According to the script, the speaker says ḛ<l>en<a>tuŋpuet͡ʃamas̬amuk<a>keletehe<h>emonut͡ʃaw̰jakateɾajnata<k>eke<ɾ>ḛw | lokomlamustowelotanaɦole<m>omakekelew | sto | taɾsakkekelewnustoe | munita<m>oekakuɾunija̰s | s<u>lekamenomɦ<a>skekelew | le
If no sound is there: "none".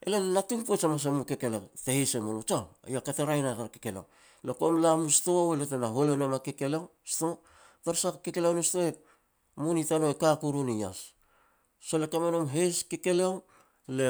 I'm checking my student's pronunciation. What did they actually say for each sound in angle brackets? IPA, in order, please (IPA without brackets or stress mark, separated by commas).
l, a, e, s, k, l, n, n, o, e